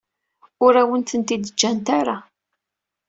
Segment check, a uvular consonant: absent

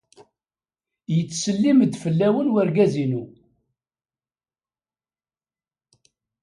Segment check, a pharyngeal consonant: absent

